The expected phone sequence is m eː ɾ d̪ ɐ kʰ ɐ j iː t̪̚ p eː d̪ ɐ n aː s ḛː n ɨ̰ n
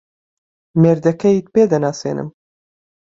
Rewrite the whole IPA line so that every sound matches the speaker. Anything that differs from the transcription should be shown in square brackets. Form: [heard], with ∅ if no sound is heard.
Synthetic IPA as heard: m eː ɾ d̪ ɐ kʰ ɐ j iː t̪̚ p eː d̪ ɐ n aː s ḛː n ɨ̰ [m]